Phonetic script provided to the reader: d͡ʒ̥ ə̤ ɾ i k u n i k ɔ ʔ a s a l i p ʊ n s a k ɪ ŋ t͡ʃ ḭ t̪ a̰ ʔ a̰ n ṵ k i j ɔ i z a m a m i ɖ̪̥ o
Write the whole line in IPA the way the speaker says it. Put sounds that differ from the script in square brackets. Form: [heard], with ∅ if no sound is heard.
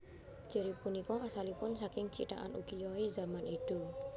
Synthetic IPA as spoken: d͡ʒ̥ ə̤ ɾ i [p] u n i k ɔ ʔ a s a l i p ʊ n s a k ɪ ŋ t͡ʃ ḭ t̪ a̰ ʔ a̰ n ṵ k i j ɔ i z a m a [n] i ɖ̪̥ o